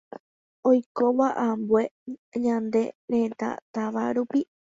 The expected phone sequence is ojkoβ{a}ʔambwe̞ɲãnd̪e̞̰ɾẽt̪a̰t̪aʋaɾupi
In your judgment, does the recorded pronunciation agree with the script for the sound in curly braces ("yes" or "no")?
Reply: yes